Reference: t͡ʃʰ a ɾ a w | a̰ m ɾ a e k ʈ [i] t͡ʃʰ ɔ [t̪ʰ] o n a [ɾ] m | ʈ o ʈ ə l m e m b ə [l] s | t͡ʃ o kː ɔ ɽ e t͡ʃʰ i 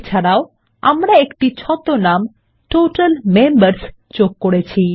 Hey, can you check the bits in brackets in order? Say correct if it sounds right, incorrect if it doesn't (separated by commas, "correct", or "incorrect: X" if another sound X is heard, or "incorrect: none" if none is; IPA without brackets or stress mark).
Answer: correct, incorrect: t̪, incorrect: none, incorrect: ɾ